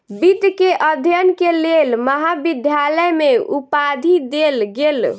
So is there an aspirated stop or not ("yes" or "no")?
no